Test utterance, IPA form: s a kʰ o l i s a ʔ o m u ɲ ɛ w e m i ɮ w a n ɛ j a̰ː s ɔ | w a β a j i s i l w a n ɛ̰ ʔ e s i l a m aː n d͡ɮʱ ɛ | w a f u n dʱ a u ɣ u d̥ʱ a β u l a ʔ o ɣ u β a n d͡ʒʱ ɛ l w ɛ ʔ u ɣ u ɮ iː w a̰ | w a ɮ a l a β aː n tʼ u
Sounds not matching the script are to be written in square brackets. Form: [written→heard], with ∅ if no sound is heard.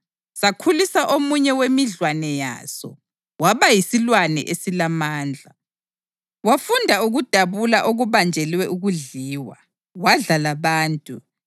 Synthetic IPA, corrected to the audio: s a kʰ [o→u] l i s a ʔ o m u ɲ ɛ w e m i ɮ w a n ɛ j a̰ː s ɔ | w a β a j i s i l w a n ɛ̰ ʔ e s i l a m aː n d͡ɮʱ [ɛ→a] | w a f u n dʱ a u ɣ u d̥ʱ a β u l a ʔ o ɣ u β a n d͡ʒʱ ɛ l w ɛ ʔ u ɣ u ɮ iː w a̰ | w a ɮ a l a β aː n tʼ u

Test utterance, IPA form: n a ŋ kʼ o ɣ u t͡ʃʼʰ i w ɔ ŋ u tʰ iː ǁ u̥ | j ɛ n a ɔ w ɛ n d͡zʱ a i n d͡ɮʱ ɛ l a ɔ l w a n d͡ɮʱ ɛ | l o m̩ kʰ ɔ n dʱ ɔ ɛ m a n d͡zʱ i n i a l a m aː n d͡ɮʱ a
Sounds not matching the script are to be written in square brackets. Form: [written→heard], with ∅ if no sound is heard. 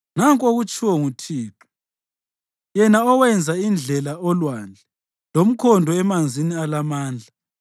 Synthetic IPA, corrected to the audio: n a ŋ kʼ o ɣ u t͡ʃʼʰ i w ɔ ŋ u tʰ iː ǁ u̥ | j ɛ n a ɔ w ɛ n d͡zʱ a i n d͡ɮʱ ɛ l a ɔ l w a n d͡ɮʱ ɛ | l o m̩ kʰ ɔ n dʱ ɔ ɛ m a n d͡zʱ i n i a l a m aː n d͡ɮʱ a

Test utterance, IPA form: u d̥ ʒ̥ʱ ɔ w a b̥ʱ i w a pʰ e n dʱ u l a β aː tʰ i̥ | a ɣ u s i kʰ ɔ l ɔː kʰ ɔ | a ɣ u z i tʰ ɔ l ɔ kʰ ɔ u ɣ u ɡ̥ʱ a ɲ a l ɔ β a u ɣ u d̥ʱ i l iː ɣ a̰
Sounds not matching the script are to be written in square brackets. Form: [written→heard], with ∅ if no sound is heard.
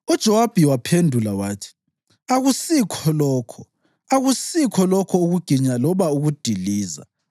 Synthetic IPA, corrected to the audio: u d̥ ʒ̥ʱ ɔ w a b̥ʱ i w a pʰ e n dʱ u l a [β→w] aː tʰ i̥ | a ɣ u s i kʰ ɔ l ɔː kʰ ɔ | a ɣ u [z→s] i [tʰ→kʰ] ɔ l ɔ kʰ ɔ u ɣ u ɡ̥ʱ [a→i] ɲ a l ɔ β a u ɣ u d̥ʱ i l iː [ɣ→z] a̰

